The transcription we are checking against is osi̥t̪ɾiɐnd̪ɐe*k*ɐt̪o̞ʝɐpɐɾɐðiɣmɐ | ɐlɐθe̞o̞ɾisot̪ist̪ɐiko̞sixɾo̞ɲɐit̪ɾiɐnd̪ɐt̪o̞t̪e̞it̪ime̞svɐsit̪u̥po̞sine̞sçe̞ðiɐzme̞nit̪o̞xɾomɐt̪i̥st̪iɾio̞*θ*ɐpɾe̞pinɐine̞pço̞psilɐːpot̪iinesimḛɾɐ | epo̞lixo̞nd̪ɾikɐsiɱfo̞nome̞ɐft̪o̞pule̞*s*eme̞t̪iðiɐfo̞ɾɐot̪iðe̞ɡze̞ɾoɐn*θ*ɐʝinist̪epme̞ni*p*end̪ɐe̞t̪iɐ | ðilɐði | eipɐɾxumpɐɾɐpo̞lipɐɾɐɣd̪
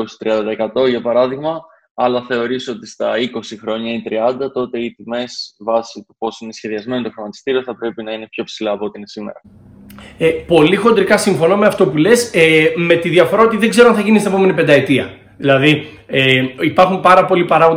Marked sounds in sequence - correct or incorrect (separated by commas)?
correct, correct, correct, correct, correct